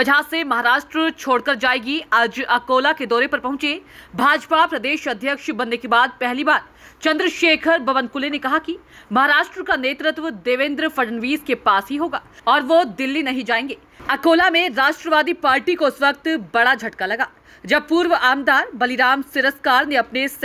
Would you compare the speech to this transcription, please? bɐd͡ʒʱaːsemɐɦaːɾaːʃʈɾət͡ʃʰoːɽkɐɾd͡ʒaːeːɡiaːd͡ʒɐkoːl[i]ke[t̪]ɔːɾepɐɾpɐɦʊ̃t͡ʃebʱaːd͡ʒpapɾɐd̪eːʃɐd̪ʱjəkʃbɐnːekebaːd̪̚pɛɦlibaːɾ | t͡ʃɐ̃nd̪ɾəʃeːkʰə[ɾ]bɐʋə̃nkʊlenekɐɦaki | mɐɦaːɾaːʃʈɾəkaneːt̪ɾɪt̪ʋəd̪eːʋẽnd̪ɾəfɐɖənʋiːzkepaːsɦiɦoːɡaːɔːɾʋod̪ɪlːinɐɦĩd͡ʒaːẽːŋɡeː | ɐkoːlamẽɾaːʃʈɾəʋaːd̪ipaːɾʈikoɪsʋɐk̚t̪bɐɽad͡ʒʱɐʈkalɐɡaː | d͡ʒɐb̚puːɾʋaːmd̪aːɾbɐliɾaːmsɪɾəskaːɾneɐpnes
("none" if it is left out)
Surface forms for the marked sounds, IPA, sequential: a, d̪, ɾ

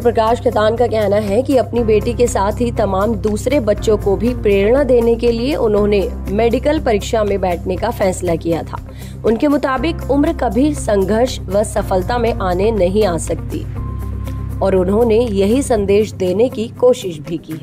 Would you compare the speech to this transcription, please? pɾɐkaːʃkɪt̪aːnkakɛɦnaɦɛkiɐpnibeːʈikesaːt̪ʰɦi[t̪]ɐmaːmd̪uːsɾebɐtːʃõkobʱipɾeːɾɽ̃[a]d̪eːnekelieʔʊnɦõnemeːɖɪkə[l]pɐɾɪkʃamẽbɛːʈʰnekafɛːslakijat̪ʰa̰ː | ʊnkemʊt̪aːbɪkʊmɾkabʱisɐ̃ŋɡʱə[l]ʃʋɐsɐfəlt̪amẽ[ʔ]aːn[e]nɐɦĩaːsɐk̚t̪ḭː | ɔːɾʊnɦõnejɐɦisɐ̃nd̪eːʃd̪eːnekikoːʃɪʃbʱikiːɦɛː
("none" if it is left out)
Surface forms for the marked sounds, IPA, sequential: t̪, a, l, ɾ, ʔ, e

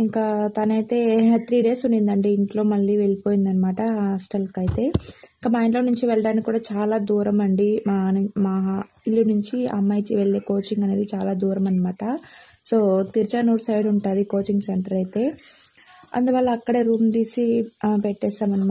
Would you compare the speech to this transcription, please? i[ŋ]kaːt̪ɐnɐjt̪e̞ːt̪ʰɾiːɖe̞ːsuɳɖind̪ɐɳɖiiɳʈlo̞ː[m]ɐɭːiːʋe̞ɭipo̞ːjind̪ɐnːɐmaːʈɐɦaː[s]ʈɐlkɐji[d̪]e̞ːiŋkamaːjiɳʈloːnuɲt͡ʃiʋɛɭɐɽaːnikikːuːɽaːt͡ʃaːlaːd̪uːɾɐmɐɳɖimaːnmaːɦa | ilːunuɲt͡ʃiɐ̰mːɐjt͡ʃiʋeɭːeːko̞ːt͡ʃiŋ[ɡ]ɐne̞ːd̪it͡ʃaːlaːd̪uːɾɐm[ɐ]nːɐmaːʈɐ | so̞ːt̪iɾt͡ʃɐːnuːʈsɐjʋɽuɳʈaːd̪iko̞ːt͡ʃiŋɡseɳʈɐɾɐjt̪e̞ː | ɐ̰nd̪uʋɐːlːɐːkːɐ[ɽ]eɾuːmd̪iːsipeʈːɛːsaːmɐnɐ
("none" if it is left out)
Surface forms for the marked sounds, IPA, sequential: ŋ, m, s, t̪, ɡ, ɐ, ɽ

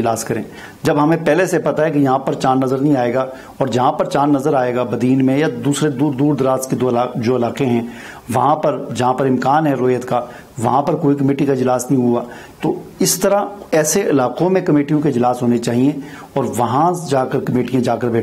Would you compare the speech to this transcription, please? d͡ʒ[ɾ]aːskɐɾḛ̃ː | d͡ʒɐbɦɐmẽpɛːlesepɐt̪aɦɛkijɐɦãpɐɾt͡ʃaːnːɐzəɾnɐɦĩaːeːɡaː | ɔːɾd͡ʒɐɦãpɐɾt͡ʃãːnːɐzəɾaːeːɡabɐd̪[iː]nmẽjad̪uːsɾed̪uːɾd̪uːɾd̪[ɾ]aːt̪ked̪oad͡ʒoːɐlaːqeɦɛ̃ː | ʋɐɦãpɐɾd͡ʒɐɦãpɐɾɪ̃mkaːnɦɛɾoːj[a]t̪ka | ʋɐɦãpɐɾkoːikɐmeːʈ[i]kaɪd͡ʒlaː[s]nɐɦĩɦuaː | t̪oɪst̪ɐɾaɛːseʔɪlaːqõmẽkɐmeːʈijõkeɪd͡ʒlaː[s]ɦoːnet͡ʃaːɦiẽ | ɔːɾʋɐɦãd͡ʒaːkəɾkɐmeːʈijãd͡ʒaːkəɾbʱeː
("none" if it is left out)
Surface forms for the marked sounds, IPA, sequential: l, iː, ɾ, ə, i, s, s

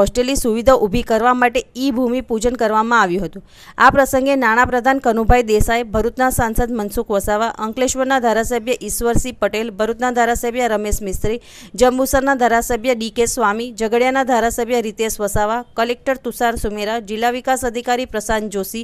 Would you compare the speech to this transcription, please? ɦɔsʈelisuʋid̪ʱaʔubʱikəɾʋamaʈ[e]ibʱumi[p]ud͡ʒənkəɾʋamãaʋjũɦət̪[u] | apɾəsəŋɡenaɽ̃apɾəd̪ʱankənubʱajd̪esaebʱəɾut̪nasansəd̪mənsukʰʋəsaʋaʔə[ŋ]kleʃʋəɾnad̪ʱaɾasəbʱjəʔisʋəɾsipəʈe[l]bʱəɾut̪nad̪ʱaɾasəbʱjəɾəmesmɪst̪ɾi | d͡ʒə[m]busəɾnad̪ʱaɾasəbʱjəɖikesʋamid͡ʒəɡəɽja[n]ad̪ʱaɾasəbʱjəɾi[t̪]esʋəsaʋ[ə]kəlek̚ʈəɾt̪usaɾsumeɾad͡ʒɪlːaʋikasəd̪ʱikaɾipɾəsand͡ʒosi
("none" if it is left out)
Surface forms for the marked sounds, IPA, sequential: e, p, ũ, ŋ, l, m, n, t̪, a

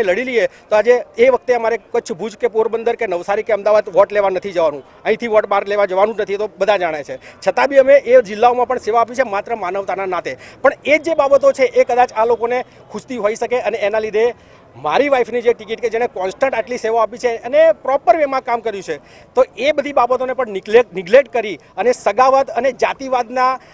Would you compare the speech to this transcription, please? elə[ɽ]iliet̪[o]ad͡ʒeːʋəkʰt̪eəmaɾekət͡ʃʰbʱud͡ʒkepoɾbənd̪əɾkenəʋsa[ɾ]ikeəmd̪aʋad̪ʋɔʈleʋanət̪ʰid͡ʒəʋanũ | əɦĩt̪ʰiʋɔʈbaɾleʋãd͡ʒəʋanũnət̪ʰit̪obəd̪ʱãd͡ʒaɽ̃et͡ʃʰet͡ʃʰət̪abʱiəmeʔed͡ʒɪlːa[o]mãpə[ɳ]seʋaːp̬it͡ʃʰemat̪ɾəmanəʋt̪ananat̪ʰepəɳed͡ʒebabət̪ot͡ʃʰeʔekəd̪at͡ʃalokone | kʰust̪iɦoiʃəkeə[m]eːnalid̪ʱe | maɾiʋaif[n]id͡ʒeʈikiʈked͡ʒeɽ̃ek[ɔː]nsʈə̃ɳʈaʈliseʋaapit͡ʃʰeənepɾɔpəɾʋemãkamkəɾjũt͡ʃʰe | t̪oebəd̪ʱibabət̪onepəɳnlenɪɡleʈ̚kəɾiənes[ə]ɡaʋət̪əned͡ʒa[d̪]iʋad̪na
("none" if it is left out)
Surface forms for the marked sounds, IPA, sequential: ɽ, o, ɾ, o, ɳ, n, n, ɔ, ə, t̪

